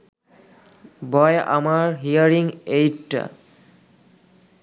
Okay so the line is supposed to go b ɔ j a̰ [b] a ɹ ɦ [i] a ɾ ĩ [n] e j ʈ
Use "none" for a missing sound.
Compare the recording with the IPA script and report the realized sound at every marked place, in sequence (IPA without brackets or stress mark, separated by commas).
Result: m, i, ŋ